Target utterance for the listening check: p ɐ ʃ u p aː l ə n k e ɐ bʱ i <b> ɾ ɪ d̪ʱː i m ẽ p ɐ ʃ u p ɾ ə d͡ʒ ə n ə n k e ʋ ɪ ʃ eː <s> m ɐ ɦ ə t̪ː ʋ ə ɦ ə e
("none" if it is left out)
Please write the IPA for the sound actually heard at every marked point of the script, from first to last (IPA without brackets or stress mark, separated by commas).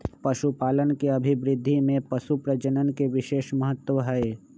b, ʃ